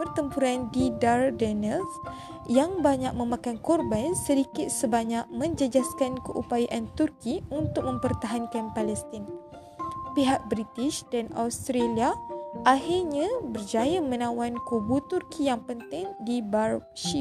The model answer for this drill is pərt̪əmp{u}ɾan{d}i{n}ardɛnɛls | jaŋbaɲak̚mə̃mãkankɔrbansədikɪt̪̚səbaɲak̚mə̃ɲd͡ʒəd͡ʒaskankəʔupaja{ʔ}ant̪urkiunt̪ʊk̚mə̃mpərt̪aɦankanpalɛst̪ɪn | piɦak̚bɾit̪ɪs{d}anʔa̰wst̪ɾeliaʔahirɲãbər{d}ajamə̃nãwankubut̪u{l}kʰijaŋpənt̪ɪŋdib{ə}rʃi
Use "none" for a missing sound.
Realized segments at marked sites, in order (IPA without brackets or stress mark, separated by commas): u, d, d, ʔ, d, d͡ʒ, r, a